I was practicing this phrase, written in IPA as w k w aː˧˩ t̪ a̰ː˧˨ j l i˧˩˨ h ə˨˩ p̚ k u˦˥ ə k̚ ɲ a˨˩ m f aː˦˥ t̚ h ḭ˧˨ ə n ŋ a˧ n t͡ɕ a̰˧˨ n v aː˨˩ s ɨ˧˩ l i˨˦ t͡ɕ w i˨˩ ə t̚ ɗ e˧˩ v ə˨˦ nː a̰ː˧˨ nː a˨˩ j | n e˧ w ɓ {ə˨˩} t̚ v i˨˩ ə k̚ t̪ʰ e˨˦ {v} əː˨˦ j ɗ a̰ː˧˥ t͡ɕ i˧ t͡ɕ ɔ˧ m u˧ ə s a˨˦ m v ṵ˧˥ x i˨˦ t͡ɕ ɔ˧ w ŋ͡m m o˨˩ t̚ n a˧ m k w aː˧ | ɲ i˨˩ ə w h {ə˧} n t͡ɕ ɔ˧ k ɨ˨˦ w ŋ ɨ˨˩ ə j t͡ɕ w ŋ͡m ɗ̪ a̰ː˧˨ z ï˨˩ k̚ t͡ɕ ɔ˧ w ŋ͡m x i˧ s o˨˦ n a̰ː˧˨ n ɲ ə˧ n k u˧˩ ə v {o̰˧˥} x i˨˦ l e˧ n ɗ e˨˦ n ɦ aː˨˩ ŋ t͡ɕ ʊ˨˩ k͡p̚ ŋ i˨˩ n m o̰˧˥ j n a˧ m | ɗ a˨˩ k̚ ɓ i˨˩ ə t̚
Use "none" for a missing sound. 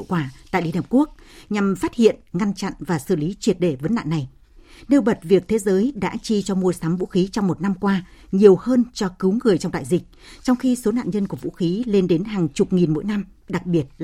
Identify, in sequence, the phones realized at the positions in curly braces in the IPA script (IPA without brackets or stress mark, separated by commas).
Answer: ə˨˩, z, əː˧, ṵ˧˥